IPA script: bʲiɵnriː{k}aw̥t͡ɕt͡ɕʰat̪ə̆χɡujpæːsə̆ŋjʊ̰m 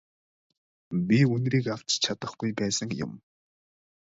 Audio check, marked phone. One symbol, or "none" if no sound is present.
k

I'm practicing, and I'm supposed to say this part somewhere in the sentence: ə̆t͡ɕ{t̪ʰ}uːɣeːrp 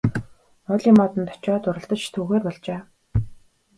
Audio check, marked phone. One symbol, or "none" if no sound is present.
t̪ʰ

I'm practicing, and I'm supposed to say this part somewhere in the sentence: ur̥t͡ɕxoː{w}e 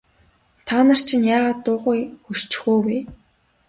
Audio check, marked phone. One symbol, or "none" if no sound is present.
w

